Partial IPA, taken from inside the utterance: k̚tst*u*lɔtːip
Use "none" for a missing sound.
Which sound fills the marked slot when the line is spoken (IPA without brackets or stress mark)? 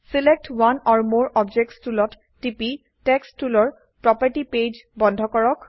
u